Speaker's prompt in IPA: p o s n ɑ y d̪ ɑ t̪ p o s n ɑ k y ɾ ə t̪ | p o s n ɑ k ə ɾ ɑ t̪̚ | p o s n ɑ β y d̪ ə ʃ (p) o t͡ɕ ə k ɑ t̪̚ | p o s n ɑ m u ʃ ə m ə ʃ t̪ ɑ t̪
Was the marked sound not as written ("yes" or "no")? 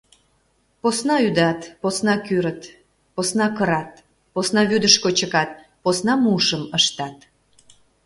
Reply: yes